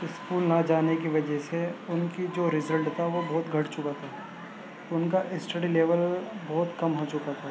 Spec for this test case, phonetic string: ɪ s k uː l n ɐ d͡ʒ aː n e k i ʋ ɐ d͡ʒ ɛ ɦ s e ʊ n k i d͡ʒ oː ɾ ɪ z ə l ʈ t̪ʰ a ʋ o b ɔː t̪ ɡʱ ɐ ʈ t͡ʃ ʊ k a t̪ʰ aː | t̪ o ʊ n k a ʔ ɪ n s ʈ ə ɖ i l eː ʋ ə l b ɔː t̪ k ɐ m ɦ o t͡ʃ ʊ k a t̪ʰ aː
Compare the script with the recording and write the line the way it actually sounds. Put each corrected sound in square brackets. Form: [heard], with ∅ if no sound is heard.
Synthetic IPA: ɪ s k uː l n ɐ d͡ʒ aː n e k i ʋ ɐ d͡ʒ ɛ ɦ s e ʊ n k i d͡ʒ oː ɾ ɪ z ə l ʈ t̪ʰ a ʋ o b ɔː t̪ ɡʱ ɐ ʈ t͡ʃ ʊ k a t̪ʰ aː | t̪ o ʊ n k a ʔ ɪ [∅] s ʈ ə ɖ i l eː ʋ ə l b ɔː t̪ k ɐ m ɦ o t͡ʃ ʊ k a t̪ʰ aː